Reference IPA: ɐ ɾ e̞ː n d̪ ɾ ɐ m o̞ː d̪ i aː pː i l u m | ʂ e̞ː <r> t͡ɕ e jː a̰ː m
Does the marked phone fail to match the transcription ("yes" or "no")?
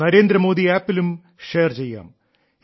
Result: no